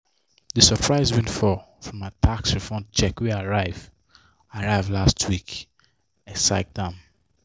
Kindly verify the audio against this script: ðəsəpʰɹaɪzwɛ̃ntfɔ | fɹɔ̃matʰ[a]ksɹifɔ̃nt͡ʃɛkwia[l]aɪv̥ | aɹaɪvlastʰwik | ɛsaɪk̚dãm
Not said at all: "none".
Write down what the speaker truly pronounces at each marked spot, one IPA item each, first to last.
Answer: a, ɹ

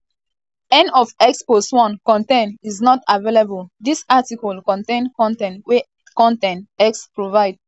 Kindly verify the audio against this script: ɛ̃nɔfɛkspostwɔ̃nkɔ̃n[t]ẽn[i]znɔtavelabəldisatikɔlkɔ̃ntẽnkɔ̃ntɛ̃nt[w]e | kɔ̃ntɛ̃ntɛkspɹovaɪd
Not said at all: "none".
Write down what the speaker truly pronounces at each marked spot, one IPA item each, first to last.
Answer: t, i, w

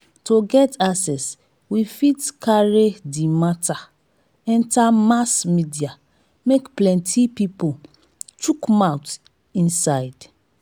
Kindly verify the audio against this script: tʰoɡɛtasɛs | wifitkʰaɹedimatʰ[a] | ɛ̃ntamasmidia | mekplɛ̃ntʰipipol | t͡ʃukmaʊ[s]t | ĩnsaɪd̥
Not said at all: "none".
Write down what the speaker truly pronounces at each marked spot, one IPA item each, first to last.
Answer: a, none

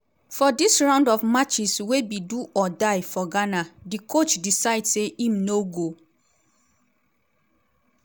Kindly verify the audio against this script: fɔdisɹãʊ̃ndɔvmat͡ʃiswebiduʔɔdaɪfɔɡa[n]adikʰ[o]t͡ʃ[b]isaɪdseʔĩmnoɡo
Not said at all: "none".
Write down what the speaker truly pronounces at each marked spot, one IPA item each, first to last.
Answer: n, o, d

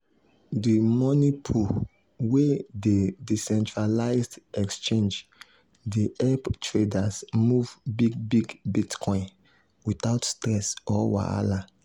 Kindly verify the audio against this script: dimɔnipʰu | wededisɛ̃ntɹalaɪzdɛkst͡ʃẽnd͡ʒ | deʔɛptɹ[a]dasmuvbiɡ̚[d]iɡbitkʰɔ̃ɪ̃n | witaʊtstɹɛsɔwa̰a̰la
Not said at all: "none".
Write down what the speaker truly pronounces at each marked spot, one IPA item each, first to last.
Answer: e, b

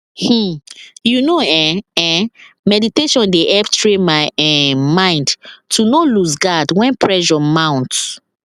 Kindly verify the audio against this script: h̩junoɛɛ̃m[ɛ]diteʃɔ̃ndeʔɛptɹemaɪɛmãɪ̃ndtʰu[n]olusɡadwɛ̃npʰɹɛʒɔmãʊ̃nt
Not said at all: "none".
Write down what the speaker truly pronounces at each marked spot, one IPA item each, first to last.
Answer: ɛ, n

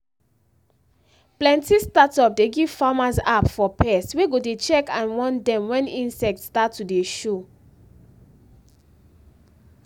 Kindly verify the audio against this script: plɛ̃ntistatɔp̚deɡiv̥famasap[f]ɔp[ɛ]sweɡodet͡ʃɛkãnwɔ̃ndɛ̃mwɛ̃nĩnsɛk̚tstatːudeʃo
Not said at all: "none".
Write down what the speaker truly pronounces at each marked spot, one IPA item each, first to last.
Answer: f, ɛ

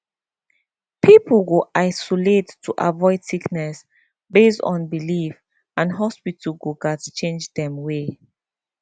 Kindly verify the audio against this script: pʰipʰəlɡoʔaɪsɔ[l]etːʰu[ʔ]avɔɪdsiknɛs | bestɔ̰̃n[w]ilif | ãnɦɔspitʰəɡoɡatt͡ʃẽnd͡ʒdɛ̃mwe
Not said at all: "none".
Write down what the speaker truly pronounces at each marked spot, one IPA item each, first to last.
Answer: l, ʔ, b

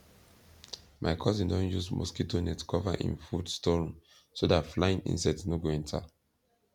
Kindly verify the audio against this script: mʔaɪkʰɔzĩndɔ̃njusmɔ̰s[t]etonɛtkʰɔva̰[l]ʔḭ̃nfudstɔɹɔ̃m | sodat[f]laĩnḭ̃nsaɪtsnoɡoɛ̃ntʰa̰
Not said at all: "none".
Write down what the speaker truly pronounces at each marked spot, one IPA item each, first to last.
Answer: k, none, f

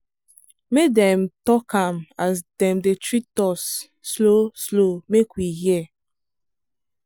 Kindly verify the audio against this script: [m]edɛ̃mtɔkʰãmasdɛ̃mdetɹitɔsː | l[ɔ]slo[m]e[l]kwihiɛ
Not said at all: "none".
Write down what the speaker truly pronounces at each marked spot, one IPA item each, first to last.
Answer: m, o, m, none

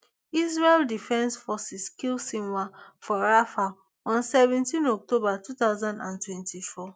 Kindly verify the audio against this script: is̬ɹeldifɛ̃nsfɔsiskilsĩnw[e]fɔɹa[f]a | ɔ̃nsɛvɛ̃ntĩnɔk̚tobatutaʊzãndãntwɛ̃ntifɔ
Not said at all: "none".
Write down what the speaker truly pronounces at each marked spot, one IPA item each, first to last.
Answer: a, f

